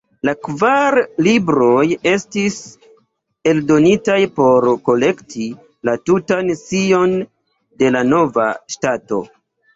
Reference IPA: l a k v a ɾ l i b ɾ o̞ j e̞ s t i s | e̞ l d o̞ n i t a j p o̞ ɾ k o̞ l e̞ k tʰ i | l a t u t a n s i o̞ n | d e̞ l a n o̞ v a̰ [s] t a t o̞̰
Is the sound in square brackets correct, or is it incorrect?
incorrect